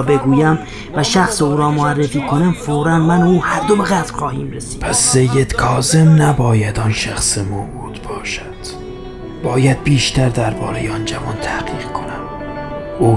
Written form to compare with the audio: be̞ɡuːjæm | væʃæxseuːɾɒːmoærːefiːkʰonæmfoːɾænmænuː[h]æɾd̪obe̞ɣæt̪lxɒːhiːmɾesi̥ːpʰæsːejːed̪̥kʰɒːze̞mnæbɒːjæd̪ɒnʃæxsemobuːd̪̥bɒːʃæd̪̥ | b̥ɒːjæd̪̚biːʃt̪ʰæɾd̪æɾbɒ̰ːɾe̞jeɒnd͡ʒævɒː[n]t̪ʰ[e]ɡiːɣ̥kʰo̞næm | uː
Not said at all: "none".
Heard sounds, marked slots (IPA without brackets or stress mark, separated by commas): h, n, æ